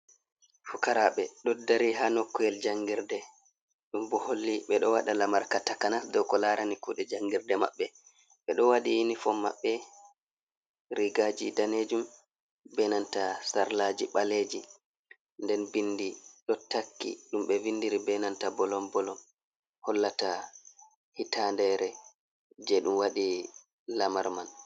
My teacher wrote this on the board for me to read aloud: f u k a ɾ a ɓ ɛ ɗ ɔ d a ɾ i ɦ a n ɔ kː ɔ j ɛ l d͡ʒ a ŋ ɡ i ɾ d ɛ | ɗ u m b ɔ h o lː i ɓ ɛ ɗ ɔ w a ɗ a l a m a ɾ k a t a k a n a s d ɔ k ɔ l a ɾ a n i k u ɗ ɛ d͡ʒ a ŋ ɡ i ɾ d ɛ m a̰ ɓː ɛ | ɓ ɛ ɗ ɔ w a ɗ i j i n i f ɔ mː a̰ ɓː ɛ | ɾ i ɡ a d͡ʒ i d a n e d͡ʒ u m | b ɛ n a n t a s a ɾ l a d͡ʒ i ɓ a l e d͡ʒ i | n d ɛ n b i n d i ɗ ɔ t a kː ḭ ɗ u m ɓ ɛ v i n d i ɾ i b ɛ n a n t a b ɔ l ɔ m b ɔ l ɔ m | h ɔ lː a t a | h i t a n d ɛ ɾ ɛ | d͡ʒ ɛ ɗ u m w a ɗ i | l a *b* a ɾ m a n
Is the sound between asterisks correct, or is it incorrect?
incorrect